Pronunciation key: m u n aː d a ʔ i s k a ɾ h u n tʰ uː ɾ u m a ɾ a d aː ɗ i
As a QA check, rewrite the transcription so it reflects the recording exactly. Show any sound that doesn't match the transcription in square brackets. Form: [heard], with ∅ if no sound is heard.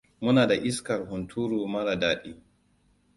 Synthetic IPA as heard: m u n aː d a ʔ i s k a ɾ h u n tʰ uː ɾ u m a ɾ a d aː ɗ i